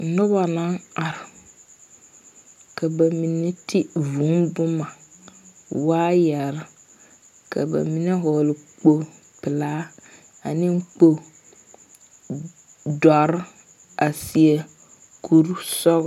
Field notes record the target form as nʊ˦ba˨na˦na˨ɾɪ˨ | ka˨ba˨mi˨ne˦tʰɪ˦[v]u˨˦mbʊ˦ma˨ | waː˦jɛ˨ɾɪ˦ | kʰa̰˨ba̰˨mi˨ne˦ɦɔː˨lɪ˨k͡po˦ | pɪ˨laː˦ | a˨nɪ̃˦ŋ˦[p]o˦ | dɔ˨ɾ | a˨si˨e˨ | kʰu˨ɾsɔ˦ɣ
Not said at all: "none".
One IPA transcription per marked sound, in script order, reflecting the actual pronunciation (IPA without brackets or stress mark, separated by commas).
v, k͡p